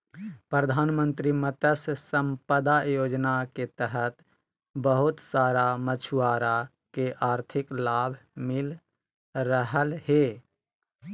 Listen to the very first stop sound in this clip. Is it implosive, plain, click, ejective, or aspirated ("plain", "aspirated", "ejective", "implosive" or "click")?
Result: plain